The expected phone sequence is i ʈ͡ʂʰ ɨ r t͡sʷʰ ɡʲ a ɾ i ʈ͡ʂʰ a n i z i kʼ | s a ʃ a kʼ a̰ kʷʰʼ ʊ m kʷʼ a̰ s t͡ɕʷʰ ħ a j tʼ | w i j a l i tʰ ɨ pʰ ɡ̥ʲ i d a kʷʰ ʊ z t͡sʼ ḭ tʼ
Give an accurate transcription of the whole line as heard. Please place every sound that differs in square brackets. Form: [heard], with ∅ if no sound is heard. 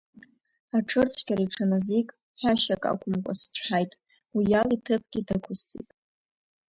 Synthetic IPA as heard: [a] ʈ͡ʂʰ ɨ r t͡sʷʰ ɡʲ a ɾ i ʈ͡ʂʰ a n [a] z i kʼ | [ħ] a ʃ a kʼ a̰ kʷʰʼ ʊ m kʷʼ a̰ s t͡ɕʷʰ ħ a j tʼ | w i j a l i tʰ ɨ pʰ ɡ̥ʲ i d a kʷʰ ʊ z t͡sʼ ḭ tʼ

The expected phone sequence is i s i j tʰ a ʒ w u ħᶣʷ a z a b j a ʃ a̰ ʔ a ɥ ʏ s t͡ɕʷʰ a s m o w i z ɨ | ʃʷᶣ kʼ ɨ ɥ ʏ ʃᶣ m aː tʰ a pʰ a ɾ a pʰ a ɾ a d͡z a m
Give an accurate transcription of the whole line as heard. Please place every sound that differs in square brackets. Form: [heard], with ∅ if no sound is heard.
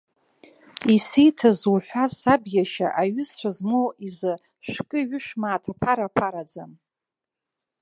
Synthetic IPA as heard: i s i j tʰ a [z] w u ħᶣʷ a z a b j a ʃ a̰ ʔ a ɥ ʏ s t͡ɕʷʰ a [z] m o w i z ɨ | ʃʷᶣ kʼ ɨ ɥ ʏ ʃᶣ m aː tʰ a pʰ a ɾ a pʰ a ɾ a d͡z a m

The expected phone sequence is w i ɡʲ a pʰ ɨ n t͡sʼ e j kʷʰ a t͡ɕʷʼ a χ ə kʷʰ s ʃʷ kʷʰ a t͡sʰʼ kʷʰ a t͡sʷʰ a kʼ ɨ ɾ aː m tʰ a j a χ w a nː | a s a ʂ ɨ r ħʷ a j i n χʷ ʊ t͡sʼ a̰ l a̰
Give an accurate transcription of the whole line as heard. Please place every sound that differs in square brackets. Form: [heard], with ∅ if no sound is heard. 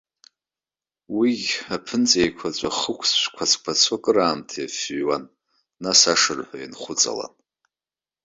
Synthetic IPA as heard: w i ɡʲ a pʰ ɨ n t͡sʼ e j kʷʰ a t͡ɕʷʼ a χ ə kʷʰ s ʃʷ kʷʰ a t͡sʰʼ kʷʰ a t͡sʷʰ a kʼ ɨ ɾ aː m tʰ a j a [f] w a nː | a s a ʂ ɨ r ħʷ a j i n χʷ ʊ t͡sʼ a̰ l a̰

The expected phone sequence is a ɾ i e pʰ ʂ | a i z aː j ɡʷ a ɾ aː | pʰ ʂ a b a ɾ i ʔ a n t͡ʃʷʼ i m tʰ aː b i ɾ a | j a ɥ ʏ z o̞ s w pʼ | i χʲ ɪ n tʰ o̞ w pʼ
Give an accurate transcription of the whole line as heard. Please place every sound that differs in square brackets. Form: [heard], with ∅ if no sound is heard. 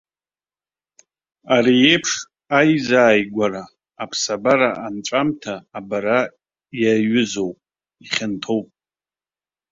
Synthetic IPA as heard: a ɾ i e pʰ ʂ | a [j] z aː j ɡʷ a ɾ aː | pʰ [s] a b a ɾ [a] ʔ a n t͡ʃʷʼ [a] m tʰ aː b [a] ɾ a | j a ɥ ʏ z o̞ [∅] w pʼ | i χʲ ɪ n tʰ o̞ w pʼ

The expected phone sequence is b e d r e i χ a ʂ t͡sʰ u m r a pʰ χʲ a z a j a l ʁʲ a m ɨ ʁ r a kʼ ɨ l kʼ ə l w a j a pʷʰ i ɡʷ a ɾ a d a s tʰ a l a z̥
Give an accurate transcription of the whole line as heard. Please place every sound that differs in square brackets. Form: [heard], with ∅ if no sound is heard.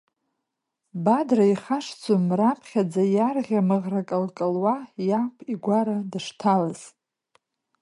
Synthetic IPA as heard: b [a] d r [a] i χ a ʂ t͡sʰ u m r a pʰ χʲ a [d͡z] a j a [r] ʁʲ a m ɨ ʁ r a kʼ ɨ l kʼ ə l w a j a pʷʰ i ɡʷ a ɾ a d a [ʂ] tʰ a l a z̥

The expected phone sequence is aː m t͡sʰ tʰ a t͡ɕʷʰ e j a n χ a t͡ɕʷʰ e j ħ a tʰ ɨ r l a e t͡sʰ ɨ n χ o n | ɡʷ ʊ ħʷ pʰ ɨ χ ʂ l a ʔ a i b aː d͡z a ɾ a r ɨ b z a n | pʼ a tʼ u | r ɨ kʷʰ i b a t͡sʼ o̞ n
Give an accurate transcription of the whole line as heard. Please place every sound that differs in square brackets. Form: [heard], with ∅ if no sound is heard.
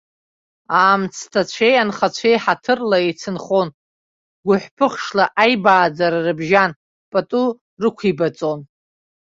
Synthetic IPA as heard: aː m t͡sʰ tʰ a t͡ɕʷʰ e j a n χ a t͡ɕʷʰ e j ħ a tʰ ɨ r l a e t͡sʰ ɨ n χ o n | ɡʷ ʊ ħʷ pʰ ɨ χ ʂ l a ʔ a [j] b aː d͡z a ɾ a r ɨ b [ʒ] a n | pʼ a tʼ u | r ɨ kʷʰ i b a t͡sʼ o̞ n

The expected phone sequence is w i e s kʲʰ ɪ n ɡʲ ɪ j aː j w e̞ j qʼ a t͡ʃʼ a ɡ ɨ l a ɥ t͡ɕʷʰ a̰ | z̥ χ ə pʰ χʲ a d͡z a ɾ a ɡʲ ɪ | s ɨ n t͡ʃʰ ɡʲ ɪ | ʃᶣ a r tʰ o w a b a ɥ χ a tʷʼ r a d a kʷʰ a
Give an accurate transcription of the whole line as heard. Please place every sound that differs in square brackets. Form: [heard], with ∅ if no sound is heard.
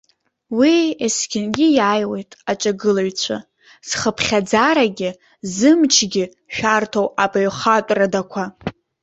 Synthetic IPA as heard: w i e s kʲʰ ɪ n ɡʲ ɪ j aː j w e̞ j [tʼ] a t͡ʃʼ a ɡ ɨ l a ɥ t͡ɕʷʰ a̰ | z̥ χ ə pʰ χʲ a d͡z a ɾ a ɡʲ ɪ | [z] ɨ [m] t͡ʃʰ ɡʲ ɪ | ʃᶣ a r tʰ o w a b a ɥ χ a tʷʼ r a d a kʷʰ a

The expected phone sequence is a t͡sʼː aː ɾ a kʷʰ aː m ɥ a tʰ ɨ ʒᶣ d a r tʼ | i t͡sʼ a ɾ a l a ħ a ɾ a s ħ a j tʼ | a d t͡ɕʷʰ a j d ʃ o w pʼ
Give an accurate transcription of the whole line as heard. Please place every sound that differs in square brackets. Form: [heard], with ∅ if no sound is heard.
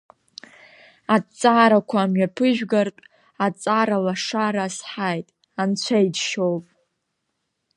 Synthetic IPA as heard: a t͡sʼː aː ɾ a kʷʰ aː m ɥ a [pʰ] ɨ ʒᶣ [ɡ] a r tʼ | [a] t͡sʼ a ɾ a l a [ʂ] a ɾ a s ħ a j tʼ | a [n] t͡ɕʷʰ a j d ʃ o w pʼ

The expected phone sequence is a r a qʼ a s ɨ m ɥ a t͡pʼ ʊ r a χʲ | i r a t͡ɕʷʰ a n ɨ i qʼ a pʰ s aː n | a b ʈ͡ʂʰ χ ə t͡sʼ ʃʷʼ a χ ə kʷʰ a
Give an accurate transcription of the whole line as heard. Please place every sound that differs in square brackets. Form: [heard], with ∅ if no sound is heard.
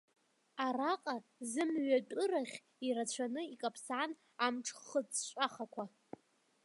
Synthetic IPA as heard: a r a qʼ a [z] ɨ m ɥ a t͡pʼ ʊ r a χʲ | i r a t͡ɕʷʰ a n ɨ i [kʼ] a pʰ s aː n | a [m] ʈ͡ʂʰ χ ə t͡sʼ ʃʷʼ a χ [a] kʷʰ a

